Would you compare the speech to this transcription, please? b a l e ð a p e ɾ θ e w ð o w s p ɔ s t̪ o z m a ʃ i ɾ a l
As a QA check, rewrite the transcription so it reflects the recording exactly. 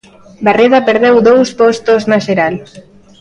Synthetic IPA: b a r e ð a p e ɾ ð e w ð o w s p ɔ s t̪ o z n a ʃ e ɾ a l